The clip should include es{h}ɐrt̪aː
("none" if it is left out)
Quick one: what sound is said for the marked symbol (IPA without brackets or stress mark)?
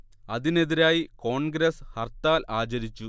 h